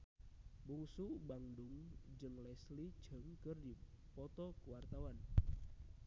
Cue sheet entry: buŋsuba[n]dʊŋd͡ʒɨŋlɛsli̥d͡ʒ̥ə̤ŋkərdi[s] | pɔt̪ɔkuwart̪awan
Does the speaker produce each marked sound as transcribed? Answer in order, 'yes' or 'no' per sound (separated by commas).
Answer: no, no